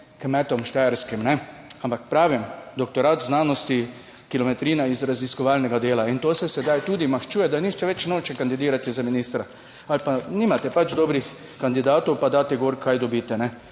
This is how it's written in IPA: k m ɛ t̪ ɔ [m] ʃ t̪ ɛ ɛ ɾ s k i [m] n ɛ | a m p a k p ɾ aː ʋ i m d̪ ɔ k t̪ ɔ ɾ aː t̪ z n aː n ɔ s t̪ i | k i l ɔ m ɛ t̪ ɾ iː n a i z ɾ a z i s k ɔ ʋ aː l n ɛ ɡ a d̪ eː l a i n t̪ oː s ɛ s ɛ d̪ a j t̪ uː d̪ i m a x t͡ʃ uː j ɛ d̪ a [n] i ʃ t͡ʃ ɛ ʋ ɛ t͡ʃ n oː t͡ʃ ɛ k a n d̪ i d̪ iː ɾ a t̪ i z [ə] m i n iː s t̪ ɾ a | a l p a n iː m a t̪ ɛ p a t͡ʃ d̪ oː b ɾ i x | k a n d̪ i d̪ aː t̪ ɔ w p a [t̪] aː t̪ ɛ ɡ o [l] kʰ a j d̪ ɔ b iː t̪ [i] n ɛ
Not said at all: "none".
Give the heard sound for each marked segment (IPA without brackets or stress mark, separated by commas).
m, m, n, a, d̪, ɾ, ɛ